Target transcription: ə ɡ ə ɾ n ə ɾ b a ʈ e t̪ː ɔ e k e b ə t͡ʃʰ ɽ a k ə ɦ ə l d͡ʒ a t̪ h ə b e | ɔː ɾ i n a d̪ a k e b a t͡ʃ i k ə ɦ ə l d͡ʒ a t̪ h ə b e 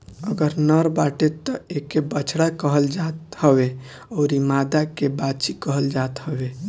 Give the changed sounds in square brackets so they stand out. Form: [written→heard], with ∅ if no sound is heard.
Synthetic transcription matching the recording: ə ɡ ə ɾ n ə ɾ b a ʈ e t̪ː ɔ e k e b ə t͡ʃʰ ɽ a k ə ɦ ə l d͡ʒ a t̪ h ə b e | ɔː ɾ i [n→m] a d̪ a k e b a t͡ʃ i k ə ɦ ə l d͡ʒ a t̪ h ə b e